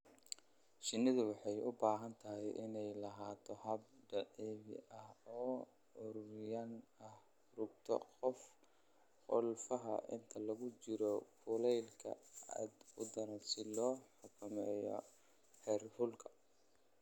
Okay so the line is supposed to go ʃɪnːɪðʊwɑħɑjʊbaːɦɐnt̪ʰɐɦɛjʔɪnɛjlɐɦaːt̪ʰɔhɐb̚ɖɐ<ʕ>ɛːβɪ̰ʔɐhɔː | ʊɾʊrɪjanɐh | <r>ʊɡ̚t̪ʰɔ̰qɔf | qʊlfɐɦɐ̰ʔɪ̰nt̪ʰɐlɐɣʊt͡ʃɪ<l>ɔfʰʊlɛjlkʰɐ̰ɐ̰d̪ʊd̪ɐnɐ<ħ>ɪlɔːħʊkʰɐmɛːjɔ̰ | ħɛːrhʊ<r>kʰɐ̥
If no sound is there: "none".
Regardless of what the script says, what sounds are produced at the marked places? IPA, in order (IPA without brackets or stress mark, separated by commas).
ʕ, r, ɾ, s, l